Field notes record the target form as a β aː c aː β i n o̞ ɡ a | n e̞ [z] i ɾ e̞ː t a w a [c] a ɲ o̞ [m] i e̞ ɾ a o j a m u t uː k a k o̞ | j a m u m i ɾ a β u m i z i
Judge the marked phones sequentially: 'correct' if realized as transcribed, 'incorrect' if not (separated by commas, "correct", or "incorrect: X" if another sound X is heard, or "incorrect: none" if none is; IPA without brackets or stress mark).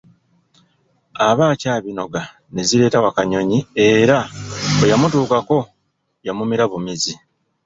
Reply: correct, incorrect: k, incorrect: ɲ